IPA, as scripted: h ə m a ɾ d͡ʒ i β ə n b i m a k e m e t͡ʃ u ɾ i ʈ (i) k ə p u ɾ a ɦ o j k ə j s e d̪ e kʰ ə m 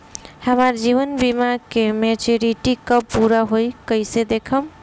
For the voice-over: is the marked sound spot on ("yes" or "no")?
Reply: yes